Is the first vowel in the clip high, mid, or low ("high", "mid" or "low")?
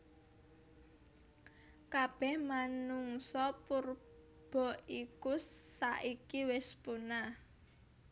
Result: low